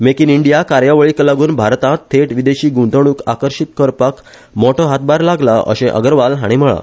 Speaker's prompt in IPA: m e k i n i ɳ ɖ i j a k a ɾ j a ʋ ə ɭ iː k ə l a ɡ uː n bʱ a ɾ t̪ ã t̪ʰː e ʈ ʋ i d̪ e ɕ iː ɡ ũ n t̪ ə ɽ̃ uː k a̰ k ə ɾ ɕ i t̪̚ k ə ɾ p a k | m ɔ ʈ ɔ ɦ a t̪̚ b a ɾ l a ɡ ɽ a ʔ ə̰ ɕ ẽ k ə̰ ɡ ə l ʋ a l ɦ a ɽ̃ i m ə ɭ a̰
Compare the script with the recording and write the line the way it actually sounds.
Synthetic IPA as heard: m e k i n i ɳ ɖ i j a k a ɾ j a ʋ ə ɭ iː k ə l a ɡ uː n bʱ a ɾ t̪ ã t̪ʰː e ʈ ʋ i d̪ e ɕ iː ɡ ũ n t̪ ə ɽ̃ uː k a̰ k ə ɾ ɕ i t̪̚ k ə ɾ p a k | m ɔ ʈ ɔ ɦ a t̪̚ b a ɾ l a ɡ l a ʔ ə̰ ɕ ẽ ʔ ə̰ ɡ ə ɾ ʋ a l ɦ a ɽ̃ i m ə ɭ a̰